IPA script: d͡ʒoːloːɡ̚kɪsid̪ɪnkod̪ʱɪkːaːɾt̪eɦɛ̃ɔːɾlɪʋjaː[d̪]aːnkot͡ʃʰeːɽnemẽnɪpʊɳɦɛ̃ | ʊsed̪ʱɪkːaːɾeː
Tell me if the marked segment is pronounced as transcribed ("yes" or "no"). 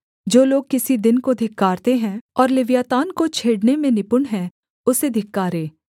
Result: no